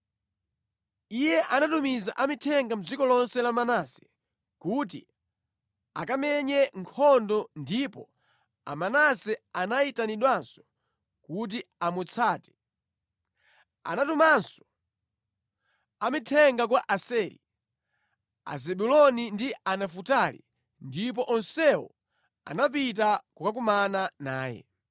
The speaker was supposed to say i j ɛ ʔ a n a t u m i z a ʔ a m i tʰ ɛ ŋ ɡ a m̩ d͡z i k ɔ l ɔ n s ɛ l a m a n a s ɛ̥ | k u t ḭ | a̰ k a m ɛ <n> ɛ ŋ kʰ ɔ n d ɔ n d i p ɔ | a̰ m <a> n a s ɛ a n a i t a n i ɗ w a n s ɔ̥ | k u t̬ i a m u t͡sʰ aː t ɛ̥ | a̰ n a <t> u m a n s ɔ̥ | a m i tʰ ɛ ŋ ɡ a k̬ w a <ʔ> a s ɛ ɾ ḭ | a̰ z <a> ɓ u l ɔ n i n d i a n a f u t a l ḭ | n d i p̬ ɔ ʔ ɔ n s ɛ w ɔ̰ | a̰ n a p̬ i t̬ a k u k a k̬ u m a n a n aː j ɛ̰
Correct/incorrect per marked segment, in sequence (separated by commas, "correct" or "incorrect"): incorrect, correct, correct, correct, incorrect